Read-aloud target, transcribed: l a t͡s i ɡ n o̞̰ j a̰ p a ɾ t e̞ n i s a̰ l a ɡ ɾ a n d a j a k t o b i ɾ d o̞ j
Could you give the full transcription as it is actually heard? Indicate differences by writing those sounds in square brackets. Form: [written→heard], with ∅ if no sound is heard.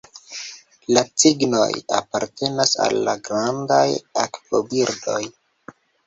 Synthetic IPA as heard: l a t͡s i ɡ n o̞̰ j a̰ p a ɾ t e̞ n [i→a] s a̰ [l→lː] a ɡ ɾ a n d a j a k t o b i ɾ d o̞ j